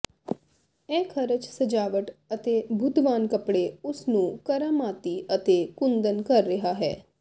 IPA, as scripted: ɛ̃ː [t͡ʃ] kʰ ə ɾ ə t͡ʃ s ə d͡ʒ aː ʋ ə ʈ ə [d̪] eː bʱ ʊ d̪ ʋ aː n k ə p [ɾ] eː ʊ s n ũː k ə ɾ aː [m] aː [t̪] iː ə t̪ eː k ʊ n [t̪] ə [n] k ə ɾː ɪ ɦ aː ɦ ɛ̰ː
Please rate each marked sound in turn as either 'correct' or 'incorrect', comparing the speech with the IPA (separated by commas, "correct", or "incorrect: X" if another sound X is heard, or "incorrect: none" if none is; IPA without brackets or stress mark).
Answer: incorrect: none, incorrect: t̪, incorrect: ɽ, correct, correct, incorrect: d̪, correct